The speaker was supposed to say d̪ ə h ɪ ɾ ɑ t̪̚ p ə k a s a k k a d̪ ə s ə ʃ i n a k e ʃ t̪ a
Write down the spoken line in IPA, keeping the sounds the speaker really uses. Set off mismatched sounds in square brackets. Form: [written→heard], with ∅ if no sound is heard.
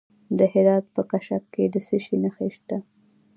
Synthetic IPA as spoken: d̪ ə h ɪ ɾ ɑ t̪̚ p ə k a [s→ʃ] a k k [a→e] d̪ ə s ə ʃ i n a [k→x] e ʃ t̪ a